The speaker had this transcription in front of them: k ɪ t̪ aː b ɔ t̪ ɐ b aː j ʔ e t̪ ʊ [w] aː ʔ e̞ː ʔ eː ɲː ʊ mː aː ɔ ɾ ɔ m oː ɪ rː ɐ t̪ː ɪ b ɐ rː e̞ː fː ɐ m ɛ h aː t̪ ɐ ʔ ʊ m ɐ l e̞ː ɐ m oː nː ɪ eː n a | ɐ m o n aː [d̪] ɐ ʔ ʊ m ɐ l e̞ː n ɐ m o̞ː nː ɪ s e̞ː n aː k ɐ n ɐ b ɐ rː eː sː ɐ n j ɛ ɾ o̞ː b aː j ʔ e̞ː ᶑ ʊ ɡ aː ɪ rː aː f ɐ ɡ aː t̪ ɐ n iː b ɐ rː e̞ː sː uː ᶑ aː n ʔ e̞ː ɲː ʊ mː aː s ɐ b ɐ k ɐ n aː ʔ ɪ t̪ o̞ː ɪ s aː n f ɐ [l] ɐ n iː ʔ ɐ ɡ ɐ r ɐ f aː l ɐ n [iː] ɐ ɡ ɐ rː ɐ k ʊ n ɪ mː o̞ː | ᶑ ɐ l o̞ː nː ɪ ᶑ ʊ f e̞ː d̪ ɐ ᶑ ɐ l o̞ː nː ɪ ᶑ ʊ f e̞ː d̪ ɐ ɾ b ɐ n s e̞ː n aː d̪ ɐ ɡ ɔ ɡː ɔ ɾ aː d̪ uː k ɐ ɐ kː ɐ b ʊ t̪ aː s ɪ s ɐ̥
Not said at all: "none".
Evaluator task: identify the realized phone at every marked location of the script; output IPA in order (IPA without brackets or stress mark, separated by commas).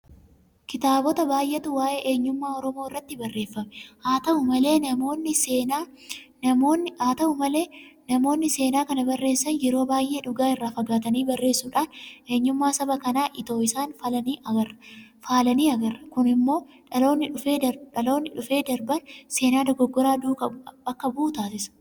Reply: w, t̪, l, iː